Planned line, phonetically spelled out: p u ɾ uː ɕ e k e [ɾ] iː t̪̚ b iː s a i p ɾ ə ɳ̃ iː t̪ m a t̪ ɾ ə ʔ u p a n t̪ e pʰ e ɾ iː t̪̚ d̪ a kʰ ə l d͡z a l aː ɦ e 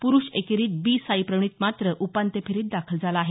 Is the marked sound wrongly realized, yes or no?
no